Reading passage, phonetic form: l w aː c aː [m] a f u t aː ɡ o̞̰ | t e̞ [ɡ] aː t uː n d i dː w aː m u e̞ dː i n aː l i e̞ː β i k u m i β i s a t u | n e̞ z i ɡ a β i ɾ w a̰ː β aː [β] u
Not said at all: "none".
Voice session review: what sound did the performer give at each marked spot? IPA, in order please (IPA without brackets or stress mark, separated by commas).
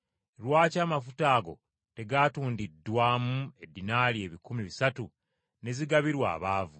m, ɡ, v